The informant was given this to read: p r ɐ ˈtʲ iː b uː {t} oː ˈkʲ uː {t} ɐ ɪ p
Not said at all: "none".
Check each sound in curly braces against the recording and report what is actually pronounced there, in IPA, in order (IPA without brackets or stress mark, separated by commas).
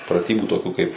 t, k